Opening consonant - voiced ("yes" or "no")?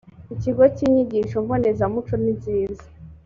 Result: no